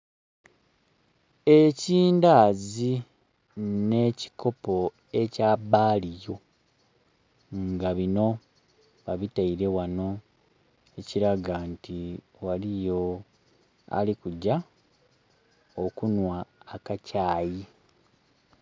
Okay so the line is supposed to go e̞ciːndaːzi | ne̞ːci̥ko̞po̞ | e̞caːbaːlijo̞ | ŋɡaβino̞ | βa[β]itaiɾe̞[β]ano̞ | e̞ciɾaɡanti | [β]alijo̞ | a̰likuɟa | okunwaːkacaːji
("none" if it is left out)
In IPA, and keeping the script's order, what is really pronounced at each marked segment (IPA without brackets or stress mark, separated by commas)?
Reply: β, w, w